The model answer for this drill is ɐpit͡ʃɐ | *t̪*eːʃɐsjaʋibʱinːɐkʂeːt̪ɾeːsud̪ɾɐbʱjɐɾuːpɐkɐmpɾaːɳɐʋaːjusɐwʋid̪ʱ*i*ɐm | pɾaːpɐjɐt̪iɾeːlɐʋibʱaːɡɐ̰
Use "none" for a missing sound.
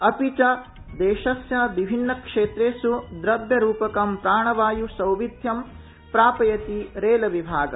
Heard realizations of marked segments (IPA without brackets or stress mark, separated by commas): d̪, j